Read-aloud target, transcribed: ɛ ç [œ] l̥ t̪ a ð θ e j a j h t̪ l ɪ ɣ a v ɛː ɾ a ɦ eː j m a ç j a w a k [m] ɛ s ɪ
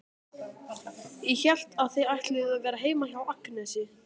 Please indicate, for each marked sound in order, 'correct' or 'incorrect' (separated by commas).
incorrect, incorrect